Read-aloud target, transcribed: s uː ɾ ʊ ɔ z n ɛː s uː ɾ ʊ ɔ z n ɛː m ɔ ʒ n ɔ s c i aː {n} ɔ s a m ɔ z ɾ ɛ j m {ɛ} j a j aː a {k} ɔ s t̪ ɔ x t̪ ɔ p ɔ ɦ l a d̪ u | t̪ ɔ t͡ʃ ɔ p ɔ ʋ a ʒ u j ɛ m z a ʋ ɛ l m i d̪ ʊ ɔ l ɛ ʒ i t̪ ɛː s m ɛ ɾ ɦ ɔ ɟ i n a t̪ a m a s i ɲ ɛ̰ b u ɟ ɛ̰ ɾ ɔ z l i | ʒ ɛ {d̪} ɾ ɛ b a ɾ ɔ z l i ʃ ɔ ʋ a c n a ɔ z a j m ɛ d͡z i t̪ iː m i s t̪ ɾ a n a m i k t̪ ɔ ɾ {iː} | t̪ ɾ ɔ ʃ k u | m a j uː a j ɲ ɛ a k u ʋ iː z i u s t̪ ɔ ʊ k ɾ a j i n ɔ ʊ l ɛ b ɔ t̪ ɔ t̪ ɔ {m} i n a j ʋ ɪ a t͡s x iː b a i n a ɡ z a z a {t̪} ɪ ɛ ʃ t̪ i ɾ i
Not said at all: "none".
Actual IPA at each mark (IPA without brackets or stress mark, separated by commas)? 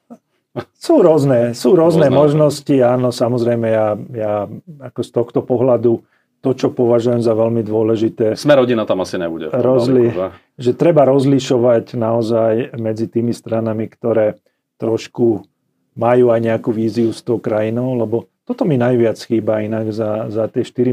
n, ɛ, k, t̪, ɛː, m, t̪